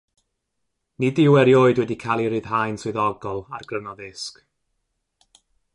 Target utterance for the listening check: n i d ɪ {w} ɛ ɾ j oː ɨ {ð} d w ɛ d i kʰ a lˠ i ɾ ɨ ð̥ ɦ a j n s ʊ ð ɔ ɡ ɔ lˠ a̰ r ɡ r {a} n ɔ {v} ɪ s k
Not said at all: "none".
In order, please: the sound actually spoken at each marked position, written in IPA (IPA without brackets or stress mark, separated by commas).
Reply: w, none, ə, ð